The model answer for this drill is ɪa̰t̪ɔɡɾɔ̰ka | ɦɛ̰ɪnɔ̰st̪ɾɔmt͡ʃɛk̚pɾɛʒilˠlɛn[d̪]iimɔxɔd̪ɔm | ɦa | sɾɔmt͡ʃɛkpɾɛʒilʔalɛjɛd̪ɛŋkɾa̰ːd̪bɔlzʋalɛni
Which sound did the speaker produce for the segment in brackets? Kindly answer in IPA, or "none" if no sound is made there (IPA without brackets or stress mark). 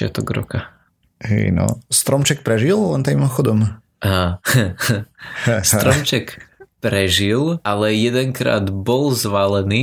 t̪